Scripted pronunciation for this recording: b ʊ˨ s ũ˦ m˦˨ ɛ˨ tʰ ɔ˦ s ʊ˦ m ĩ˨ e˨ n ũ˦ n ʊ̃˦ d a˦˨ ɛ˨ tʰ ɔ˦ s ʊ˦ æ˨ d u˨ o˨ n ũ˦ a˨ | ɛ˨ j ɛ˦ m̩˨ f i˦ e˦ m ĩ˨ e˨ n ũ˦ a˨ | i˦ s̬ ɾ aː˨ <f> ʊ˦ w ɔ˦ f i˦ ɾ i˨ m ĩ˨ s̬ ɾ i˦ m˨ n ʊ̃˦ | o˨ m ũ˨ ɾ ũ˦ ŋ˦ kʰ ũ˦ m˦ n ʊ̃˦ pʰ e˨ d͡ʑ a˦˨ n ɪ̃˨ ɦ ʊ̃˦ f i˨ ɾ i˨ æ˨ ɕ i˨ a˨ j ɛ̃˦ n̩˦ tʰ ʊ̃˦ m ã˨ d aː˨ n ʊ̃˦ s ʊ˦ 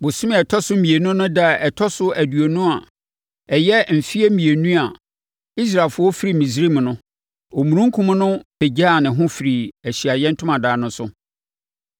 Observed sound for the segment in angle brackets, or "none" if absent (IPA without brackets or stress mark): f